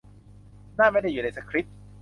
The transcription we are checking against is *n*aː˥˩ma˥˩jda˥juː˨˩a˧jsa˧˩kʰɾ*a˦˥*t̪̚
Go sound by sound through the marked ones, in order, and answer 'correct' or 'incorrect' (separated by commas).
correct, incorrect